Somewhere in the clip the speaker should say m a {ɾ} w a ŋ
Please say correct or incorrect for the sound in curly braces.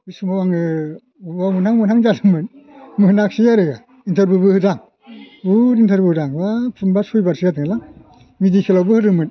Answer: incorrect